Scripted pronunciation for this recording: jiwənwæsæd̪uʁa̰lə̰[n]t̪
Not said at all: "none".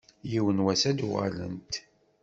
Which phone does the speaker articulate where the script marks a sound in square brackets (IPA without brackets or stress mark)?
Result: n